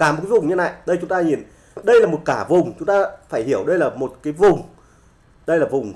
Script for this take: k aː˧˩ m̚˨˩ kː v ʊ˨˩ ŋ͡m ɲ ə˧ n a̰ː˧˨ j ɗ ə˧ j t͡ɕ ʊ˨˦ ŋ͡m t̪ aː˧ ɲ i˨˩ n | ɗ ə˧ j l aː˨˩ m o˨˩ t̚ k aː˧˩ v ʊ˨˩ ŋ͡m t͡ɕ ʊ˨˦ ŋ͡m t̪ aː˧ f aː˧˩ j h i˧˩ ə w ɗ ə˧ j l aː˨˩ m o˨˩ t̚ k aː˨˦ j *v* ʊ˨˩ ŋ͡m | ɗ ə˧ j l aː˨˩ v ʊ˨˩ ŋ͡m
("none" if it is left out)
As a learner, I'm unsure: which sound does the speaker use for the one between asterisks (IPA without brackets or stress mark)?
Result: v